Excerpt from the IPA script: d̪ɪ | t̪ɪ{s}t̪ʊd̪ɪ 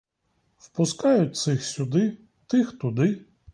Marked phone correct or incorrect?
incorrect